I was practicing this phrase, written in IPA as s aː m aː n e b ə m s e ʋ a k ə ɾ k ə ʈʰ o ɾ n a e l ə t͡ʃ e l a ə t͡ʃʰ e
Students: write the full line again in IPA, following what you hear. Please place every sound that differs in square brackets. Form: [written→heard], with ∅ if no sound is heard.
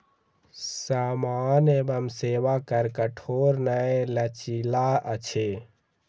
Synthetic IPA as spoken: s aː m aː n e b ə m s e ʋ a k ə ɾ k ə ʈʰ o ɾ n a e l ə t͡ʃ [e→i] l a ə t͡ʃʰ e